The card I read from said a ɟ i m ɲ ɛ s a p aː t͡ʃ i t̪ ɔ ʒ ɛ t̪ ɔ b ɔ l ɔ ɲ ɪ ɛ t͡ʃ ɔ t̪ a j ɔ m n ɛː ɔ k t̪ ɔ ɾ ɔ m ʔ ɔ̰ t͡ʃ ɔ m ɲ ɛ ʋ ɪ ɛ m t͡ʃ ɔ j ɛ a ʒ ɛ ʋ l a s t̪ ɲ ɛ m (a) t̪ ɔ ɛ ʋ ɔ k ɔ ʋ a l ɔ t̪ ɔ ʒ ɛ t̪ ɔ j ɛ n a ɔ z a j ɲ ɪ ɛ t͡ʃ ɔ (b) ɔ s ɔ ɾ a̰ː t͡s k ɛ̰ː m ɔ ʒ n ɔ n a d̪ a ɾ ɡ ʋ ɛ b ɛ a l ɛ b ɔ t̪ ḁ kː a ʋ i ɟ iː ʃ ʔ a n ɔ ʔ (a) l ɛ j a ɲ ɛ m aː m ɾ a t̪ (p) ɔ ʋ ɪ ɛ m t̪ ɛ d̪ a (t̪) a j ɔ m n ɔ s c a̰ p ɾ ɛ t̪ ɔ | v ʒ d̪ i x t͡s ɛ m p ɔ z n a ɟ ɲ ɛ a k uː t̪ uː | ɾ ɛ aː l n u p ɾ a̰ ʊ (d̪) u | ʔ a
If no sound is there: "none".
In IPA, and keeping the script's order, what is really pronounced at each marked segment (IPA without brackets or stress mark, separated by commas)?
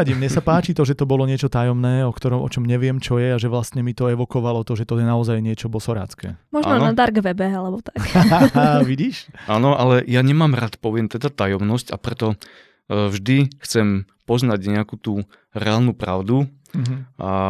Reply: i, b, a, p, t̪, d̪